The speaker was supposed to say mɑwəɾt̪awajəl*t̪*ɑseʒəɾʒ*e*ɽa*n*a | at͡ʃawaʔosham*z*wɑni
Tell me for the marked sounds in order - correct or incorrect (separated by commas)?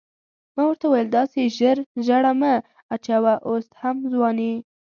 incorrect, incorrect, incorrect, correct